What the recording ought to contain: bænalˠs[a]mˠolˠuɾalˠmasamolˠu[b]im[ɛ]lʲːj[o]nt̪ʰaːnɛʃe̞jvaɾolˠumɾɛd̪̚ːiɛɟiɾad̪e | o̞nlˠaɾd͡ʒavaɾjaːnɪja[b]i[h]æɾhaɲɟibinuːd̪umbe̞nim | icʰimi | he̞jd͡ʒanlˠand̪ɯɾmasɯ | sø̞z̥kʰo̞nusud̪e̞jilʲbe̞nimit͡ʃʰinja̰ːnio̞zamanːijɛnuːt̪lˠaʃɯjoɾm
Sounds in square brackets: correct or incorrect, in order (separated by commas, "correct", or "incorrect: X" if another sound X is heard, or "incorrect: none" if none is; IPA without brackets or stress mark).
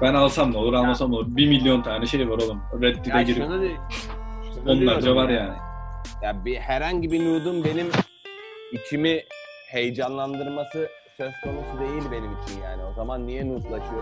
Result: correct, correct, incorrect: i, correct, correct, correct